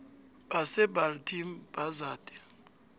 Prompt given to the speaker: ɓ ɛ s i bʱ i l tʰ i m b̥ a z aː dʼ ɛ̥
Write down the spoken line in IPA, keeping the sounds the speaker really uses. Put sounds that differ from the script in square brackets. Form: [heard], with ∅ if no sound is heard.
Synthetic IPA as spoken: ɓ [a] s [ɛ] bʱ [a] l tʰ i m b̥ a z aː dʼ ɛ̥

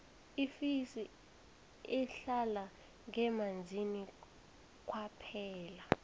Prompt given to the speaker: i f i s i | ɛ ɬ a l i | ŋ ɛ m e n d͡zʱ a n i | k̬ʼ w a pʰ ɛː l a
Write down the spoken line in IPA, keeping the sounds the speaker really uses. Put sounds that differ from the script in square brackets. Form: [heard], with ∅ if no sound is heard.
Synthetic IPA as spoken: i f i s i | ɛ ɬ a l [a] | ŋ ɛ m [a] n d͡zʱ [i] n i | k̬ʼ w a pʰ ɛː l a

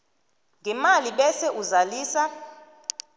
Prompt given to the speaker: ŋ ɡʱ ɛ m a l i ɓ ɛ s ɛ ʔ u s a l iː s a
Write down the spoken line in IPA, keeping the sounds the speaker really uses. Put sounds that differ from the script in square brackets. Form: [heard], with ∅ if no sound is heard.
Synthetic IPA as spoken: ŋ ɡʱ ɛ m a l i ɓ ɛ s ɛ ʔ u [z] a l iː s a

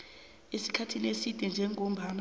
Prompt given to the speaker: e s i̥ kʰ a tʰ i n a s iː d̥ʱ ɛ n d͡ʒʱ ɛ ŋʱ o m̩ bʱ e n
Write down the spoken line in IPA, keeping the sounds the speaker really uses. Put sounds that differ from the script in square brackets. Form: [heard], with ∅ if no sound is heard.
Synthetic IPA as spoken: e s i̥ kʰ a tʰ i n [e] s [i] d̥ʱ ɛ n d͡ʒʱ ɛ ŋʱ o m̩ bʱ [a] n

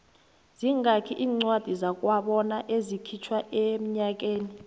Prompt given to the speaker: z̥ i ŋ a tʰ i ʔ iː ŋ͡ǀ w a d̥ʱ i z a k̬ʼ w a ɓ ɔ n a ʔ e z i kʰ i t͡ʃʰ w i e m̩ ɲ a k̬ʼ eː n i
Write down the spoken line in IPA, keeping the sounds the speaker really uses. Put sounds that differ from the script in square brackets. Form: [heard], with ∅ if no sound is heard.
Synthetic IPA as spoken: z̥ i ŋ a [kʰ] i ʔ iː ŋ͡ǀ w a d̥ʱ i z a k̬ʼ w a ɓ ɔ n a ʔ e z i kʰ i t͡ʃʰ w [a] e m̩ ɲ a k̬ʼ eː n i

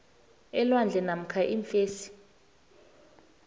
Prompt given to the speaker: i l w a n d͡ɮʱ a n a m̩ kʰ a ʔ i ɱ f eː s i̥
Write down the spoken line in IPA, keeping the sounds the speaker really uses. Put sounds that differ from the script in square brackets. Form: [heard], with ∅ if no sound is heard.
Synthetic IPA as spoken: [ɛ] l w a n d͡ɮʱ [ɛ] n a m̩ kʰ a ʔ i ɱ f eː s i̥

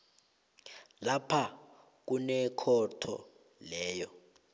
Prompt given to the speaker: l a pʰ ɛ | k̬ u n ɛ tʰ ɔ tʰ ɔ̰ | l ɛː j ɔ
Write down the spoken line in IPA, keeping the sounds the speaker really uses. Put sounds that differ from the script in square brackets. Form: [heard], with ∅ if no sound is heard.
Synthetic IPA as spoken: l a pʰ [a] | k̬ u n ɛ [kʰ] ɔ tʰ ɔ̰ | l ɛː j ɔ

